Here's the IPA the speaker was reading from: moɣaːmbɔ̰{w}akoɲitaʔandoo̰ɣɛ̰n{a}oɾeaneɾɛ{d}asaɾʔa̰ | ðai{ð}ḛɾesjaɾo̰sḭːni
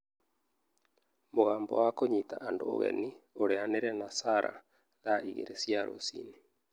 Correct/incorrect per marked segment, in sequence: correct, incorrect, incorrect, incorrect

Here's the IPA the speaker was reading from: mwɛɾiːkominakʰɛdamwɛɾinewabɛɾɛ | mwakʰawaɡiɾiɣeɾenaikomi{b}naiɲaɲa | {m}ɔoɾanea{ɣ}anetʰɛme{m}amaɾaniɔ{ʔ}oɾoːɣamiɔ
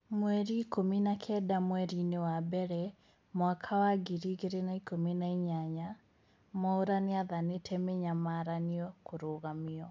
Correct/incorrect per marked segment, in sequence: incorrect, correct, incorrect, incorrect, incorrect

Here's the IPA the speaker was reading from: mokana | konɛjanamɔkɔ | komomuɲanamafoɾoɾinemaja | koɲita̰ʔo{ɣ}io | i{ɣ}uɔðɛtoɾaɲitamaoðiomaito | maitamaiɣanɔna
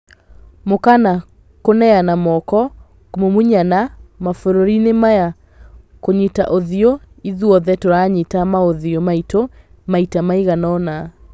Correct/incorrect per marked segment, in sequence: incorrect, incorrect

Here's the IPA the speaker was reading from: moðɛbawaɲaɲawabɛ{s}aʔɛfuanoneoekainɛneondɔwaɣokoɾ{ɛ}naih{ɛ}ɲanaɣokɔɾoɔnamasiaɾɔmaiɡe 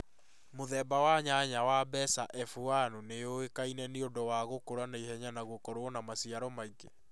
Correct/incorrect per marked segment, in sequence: correct, incorrect, correct

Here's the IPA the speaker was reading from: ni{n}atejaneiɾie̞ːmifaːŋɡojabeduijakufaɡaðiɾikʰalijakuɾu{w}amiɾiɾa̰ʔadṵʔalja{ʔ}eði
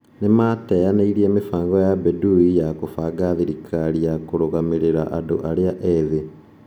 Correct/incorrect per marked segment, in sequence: incorrect, incorrect, correct

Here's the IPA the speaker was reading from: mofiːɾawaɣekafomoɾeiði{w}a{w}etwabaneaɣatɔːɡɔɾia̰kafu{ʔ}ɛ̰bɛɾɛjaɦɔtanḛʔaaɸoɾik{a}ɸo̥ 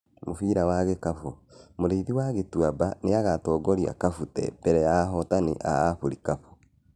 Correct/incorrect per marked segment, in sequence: correct, incorrect, incorrect, correct

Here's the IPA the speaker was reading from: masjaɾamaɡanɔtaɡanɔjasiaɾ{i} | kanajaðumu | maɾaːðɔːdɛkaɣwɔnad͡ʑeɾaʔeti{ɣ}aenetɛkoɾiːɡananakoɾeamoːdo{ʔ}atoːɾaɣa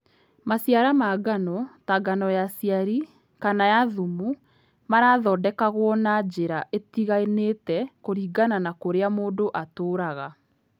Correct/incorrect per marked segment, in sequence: correct, correct, correct

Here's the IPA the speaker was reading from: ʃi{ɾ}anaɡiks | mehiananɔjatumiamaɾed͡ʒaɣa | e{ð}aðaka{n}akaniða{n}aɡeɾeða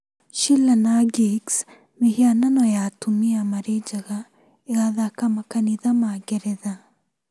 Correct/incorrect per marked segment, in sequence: incorrect, incorrect, incorrect, incorrect

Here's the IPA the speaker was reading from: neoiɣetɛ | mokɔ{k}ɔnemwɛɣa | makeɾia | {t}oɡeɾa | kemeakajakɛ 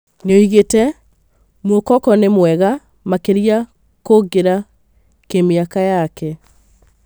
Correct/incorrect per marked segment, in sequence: correct, incorrect

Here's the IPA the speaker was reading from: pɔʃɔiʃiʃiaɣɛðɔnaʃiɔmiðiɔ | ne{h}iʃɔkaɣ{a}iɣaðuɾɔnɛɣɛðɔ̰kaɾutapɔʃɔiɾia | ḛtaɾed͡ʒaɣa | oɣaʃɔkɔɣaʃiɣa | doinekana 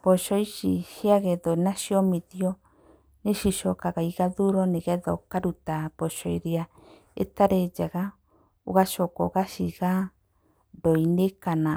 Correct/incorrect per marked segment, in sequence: incorrect, correct

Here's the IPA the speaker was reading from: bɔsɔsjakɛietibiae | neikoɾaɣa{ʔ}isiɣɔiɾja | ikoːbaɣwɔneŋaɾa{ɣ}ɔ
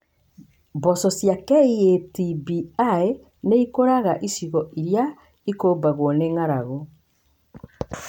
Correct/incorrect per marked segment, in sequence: correct, correct

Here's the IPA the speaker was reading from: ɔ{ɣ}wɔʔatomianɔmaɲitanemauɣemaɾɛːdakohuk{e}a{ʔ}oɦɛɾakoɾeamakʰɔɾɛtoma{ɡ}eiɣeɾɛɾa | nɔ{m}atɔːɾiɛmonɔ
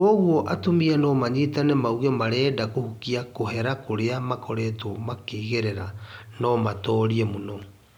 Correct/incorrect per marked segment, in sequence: correct, incorrect, incorrect, incorrect, correct

